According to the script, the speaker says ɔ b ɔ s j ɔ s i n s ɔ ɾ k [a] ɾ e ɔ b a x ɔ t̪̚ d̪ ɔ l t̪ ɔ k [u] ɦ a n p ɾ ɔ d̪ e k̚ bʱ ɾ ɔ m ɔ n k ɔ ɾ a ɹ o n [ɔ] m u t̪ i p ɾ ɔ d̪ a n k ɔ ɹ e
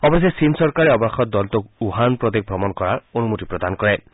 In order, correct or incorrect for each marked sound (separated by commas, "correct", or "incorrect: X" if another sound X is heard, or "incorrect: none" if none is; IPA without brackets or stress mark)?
correct, correct, incorrect: u